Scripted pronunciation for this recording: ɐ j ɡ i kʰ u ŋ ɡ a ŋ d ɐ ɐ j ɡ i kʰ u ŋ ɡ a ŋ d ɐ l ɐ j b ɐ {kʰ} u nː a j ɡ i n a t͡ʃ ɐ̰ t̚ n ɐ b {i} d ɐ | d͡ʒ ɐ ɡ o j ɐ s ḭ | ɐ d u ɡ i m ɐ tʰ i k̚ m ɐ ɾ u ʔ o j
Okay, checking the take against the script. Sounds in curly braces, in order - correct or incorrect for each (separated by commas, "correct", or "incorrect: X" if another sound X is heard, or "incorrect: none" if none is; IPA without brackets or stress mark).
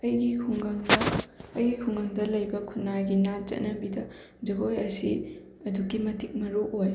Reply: correct, correct